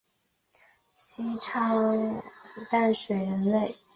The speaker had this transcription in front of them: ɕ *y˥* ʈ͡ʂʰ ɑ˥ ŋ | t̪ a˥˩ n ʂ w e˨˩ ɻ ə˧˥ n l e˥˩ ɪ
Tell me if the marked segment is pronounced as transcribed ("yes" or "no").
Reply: no